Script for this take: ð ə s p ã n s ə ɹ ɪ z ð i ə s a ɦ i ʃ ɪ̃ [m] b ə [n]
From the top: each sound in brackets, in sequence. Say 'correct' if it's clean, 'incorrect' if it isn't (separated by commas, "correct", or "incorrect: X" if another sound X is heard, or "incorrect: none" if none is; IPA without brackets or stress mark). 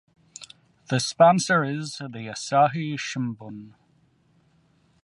correct, correct